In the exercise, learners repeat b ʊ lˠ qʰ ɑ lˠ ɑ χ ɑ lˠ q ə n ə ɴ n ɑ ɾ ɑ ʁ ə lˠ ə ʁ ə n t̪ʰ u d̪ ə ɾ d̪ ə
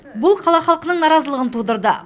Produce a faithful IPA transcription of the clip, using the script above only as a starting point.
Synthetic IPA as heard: b ʊ lˠ qʰ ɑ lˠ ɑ χ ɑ lˠ q ə n ə ɴ n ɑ ɾ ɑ z ə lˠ ə ʁ ə n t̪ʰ u d̪ ə ɾ d̪ ə